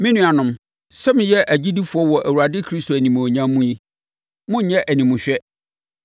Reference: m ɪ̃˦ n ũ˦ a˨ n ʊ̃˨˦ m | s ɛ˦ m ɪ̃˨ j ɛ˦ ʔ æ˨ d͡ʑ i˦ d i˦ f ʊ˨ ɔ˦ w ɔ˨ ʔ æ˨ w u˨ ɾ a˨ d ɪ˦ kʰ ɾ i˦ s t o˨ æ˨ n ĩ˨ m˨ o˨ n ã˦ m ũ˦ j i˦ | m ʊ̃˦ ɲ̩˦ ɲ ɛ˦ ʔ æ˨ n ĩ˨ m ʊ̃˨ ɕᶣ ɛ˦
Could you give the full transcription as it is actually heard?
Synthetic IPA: m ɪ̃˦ n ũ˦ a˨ n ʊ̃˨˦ m | s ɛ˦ m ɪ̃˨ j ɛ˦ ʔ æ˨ d͡ʑ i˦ d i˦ f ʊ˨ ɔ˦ w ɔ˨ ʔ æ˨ w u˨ ɾ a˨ d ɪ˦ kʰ ɾ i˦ s t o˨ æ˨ n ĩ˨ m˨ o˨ ɲ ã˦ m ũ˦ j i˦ | m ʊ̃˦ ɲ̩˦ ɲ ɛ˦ ʔ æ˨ n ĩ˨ m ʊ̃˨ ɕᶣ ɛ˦